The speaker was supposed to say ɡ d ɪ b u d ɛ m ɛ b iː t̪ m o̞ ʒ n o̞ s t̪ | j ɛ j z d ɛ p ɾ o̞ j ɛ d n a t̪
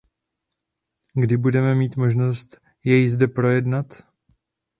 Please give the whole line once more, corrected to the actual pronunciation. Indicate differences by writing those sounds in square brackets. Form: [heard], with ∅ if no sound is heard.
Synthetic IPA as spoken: ɡ d ɪ b u d ɛ m ɛ [m] iː t̪ m o̞ ʒ n o̞ s t̪ | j ɛ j z d ɛ p ɾ o̞ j ɛ d n a t̪